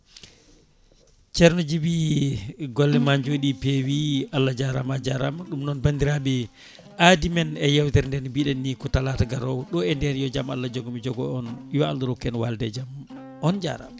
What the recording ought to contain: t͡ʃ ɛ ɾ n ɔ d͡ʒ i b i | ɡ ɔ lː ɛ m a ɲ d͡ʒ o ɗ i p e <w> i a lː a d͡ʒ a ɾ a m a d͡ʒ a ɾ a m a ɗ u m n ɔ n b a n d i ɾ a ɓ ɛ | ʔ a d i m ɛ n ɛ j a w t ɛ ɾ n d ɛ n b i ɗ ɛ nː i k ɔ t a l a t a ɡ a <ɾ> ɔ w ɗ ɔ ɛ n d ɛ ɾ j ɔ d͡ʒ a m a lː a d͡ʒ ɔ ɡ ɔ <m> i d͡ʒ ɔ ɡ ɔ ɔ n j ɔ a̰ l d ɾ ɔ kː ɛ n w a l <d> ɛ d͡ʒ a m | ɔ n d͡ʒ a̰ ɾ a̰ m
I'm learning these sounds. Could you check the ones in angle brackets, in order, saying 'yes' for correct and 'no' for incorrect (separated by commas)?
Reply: yes, yes, yes, yes